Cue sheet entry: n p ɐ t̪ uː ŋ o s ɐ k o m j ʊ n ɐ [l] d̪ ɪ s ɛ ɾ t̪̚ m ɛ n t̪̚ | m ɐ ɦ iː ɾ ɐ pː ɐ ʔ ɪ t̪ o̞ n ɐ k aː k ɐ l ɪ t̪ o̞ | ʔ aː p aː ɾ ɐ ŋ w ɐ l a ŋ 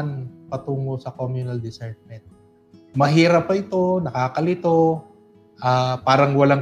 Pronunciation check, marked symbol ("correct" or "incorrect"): correct